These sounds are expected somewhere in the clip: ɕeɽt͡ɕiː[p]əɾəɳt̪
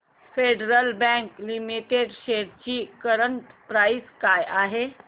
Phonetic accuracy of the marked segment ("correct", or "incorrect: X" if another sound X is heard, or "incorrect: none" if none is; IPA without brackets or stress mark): incorrect: k